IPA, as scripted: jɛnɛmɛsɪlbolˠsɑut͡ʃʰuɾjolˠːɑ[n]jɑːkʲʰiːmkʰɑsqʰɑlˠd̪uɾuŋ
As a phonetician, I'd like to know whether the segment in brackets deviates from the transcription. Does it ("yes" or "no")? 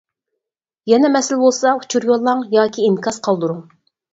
yes